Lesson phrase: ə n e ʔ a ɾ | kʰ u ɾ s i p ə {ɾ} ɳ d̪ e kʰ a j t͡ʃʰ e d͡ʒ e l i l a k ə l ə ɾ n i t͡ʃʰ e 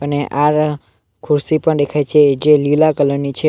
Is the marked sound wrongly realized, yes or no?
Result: yes